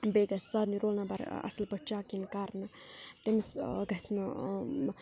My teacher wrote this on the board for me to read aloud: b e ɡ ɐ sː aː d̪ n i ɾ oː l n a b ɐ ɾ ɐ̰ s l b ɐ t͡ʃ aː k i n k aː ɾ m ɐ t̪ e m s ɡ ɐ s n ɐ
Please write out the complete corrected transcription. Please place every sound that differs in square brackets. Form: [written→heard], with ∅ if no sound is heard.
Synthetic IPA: b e ɡ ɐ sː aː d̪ n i ɾ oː l n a b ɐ ɾ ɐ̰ s l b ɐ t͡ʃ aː k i n k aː ɾ [m→n] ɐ t̪ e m s ɡ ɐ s n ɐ